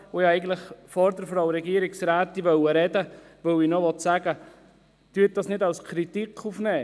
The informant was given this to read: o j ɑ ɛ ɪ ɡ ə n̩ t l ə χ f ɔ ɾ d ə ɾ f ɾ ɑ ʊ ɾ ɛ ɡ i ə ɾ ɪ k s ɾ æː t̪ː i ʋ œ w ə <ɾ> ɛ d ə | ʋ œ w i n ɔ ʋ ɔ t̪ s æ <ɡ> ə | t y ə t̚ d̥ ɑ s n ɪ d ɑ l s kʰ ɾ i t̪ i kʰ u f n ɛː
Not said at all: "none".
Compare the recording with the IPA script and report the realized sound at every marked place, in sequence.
ɾ, ɡ

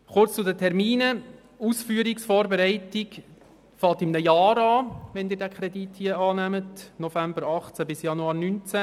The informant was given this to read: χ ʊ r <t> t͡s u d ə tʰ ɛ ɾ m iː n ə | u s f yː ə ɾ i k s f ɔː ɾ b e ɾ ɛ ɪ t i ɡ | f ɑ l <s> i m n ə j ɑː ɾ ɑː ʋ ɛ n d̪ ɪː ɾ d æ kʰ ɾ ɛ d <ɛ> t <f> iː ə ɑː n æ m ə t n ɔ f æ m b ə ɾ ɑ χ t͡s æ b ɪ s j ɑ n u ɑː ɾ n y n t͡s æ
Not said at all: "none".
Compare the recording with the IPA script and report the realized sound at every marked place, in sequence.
t͡s, t, i, h

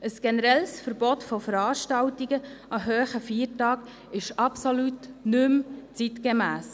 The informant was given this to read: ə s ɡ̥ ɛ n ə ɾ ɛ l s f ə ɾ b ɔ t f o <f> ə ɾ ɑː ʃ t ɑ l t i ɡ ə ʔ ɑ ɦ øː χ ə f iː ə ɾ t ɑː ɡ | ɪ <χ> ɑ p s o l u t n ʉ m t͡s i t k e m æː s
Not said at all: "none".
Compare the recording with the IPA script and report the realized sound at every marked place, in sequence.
f, ʃ

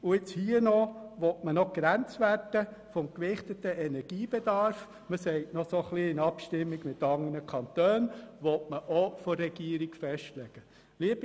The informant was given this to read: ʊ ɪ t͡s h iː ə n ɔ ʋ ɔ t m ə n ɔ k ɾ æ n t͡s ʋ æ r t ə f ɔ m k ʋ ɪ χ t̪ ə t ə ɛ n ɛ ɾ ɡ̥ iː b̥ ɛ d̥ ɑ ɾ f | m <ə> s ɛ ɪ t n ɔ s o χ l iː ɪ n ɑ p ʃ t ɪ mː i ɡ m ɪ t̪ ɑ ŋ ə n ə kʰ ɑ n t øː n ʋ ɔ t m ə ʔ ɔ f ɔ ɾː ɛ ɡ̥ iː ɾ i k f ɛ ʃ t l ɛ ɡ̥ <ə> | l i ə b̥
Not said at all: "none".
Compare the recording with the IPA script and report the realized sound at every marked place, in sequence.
ə, ə

